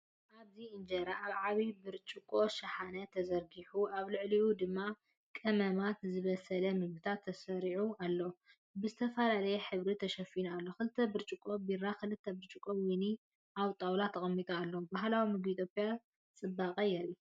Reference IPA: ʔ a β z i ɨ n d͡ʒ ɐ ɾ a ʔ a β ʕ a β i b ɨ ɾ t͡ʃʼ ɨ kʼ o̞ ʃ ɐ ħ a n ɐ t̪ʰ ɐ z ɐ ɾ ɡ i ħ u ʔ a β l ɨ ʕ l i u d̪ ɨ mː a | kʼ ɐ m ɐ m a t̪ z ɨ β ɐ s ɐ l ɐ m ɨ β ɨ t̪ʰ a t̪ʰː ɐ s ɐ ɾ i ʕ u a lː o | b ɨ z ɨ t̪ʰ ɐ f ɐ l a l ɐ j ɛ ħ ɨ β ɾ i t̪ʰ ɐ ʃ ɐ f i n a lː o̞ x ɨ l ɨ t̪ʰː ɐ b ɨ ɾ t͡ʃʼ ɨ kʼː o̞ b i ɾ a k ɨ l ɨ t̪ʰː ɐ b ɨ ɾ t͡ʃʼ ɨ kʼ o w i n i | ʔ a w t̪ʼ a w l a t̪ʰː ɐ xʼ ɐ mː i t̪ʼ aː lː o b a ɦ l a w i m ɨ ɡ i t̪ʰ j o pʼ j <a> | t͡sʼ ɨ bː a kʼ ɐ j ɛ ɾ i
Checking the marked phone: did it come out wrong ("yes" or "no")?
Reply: no